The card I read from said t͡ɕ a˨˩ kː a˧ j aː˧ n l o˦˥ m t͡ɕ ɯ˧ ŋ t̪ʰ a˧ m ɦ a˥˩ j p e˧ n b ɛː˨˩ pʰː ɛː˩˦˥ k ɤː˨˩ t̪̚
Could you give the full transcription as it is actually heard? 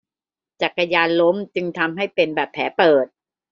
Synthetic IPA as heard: t͡ɕ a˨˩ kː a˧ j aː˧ n l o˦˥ m t͡ɕ ɯ˧ ŋ t̪ʰ a˧ m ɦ a˥˩ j p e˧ n b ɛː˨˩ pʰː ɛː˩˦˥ p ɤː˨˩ t̪̚